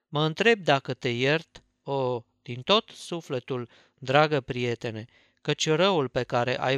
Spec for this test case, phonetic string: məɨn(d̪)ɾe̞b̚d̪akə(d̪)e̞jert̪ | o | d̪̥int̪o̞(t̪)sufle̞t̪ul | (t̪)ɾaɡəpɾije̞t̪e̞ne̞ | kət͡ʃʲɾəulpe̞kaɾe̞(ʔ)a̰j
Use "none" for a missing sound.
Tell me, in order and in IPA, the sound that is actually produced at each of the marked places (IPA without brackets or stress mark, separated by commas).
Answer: t̪, t̪, t̪, d̪, ʔ